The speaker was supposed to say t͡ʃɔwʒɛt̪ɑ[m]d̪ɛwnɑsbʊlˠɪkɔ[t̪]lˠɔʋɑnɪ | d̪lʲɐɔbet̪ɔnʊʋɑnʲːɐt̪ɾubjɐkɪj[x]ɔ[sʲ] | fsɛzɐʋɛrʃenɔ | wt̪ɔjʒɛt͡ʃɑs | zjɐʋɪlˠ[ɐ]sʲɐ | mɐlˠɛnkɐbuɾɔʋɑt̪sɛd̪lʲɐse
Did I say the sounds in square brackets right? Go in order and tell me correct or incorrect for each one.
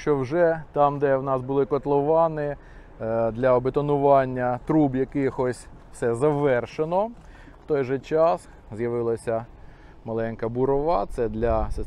correct, correct, correct, correct, correct

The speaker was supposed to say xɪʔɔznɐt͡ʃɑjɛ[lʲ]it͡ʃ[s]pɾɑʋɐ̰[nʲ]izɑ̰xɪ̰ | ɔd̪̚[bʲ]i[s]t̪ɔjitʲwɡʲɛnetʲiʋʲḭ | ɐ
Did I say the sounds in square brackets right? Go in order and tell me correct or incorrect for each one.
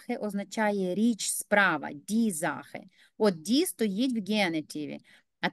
incorrect, correct, incorrect, incorrect, correct

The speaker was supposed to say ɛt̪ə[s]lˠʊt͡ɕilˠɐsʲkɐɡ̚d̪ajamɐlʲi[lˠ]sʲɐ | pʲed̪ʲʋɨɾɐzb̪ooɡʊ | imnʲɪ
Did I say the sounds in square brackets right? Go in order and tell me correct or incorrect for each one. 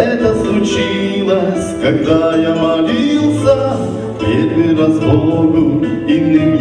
correct, correct

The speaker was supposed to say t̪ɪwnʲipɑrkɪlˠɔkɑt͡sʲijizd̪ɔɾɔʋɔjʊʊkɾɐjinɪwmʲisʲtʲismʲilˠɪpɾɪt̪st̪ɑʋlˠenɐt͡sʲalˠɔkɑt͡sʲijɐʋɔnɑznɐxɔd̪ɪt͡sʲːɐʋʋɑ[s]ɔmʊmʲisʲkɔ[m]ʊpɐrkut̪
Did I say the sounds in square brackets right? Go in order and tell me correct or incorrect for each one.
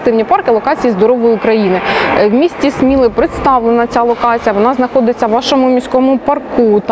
incorrect, correct

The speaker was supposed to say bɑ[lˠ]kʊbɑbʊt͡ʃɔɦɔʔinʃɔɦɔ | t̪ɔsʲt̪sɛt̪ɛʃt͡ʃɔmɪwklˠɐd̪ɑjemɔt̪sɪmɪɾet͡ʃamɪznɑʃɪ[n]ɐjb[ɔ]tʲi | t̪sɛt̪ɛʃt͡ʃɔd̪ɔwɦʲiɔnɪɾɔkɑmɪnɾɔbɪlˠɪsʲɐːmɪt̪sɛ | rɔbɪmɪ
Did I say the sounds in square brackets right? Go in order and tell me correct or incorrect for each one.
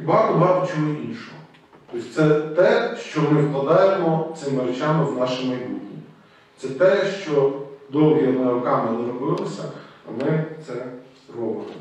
incorrect, incorrect, incorrect

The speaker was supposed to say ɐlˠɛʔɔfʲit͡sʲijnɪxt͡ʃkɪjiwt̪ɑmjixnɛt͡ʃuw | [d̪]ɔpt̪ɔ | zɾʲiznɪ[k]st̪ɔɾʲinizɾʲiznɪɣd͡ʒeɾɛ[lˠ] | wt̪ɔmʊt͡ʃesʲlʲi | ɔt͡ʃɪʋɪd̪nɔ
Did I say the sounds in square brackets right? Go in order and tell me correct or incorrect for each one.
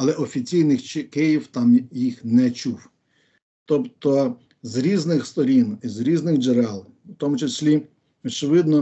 incorrect, incorrect, correct

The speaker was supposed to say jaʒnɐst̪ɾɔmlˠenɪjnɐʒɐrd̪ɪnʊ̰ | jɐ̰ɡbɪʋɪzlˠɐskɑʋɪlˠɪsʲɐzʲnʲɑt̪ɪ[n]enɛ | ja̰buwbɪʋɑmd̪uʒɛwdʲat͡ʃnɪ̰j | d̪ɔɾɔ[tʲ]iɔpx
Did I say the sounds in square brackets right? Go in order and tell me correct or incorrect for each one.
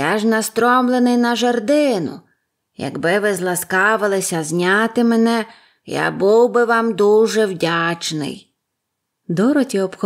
incorrect, correct

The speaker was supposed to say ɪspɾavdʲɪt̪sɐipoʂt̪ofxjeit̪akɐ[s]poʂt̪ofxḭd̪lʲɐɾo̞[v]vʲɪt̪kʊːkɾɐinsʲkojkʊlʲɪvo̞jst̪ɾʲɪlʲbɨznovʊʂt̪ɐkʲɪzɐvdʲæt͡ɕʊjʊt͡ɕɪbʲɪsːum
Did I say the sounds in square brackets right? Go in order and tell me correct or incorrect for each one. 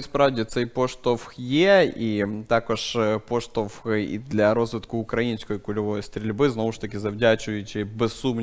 incorrect, incorrect

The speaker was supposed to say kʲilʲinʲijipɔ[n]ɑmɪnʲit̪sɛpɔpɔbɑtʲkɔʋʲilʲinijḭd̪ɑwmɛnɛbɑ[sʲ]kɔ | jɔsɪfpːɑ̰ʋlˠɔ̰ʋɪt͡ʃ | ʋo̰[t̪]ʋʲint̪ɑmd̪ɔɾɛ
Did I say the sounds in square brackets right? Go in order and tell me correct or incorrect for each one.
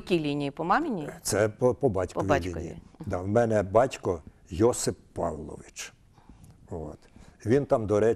incorrect, incorrect, correct

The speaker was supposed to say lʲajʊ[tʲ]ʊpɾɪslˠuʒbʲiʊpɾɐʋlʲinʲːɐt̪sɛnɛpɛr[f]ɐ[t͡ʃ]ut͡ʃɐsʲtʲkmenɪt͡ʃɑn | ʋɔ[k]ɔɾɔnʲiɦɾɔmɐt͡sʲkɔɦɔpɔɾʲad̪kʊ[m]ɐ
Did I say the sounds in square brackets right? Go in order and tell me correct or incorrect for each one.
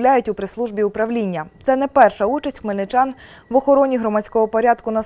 correct, incorrect, incorrect, incorrect, incorrect

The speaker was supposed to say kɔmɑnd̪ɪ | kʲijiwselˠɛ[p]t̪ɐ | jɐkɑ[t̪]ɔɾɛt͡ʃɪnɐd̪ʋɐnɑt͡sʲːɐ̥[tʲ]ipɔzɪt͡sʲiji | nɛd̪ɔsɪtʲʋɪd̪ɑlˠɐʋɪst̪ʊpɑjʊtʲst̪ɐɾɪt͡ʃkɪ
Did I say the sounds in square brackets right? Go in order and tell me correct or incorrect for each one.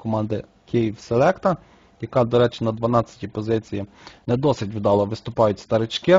incorrect, incorrect, correct

